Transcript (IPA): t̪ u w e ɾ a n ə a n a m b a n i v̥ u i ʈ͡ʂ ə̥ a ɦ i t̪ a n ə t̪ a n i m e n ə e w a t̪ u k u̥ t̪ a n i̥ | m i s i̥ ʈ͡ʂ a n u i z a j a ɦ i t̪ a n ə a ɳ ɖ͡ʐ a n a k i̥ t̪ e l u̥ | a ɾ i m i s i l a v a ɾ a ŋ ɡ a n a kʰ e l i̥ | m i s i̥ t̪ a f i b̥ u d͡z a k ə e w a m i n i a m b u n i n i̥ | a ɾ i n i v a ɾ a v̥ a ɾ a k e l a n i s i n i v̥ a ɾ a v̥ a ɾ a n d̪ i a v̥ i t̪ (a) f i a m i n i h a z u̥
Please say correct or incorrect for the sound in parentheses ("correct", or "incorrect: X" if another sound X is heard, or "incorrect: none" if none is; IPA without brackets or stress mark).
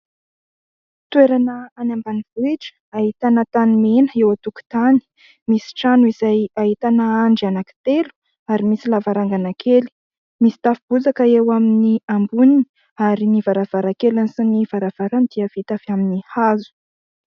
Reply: correct